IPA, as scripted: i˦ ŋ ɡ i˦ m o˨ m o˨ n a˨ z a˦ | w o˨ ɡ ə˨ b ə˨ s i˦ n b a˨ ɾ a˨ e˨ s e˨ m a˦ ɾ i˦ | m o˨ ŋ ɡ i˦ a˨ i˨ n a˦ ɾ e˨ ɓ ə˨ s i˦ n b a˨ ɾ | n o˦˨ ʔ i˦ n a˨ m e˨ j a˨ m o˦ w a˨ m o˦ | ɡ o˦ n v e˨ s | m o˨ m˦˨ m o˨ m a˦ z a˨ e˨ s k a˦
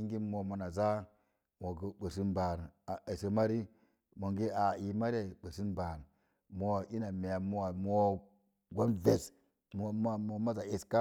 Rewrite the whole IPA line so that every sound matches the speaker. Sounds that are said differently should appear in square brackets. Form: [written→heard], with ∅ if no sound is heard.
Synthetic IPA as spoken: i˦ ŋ ɡ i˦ m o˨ m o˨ n a˨ z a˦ | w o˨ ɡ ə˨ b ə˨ s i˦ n b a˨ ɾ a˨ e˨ s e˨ m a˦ ɾ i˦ | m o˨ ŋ ɡ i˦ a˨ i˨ [n→m] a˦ ɾ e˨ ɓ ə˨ s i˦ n b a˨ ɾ | [n→m] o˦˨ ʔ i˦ n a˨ m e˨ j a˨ m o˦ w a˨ m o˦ | ɡ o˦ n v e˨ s | m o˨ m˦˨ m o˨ m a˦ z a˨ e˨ s k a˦